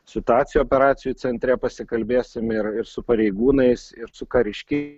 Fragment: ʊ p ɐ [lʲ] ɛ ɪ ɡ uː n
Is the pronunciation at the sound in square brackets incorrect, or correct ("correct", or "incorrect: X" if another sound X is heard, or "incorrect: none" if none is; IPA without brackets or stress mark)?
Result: incorrect: ɾʲ